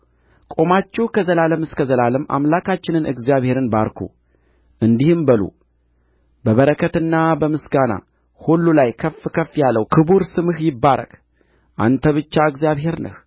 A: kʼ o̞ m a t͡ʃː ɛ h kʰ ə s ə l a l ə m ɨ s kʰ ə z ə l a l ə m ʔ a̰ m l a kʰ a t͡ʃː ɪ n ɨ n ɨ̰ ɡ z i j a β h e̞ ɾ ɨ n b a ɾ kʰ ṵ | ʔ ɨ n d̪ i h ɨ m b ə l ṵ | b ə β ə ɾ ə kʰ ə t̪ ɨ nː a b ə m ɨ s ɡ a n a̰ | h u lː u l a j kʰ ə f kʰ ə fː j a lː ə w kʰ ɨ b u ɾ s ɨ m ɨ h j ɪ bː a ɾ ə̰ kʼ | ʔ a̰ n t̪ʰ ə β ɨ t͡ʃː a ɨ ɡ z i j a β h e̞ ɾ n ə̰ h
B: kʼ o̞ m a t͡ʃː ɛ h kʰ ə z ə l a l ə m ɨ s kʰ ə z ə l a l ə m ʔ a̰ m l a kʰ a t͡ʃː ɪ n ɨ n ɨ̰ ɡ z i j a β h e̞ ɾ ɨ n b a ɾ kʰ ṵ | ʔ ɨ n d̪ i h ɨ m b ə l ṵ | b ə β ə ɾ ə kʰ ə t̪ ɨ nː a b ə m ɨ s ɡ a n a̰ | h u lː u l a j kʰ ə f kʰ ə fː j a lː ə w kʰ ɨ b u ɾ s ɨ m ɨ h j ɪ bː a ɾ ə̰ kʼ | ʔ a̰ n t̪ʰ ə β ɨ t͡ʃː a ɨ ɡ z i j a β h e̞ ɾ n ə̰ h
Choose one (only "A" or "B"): B